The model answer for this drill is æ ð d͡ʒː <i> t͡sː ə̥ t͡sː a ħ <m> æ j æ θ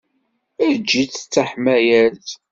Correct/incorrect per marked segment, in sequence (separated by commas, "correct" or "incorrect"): correct, correct